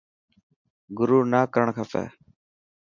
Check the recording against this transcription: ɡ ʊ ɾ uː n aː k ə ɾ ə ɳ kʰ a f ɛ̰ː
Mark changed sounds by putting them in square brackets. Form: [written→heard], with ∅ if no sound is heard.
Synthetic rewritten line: ɡ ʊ ɾ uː n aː k ə ɾ ə ɳ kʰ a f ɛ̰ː